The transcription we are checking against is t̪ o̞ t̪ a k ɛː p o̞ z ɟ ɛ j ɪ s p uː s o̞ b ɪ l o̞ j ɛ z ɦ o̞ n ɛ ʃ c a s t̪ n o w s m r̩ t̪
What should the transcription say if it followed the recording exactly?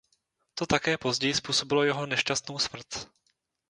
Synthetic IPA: t̪ o̞ t̪ a k ɛː p o̞ z ɟ ɛ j ɪ s p uː s o̞ b ɪ l o̞ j ɛ ɦ o̞ n ɛ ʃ c a s t̪ n o w s m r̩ t̪